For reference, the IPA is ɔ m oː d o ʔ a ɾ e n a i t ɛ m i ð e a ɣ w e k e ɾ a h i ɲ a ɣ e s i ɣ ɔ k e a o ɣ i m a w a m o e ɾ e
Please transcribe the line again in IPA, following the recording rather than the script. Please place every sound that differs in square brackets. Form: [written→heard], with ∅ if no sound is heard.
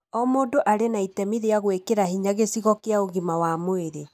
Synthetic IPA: ɔ m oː d o ʔ a ɾ e n a i t ɛ m i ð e a ɣ w e k e ɾ a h i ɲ a ɣ e s i ɣ ɔ k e a o ɣ i m a w a m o e ɾ e